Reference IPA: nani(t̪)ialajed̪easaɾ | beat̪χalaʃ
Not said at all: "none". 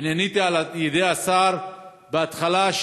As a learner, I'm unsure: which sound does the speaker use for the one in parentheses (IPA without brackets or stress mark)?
t̪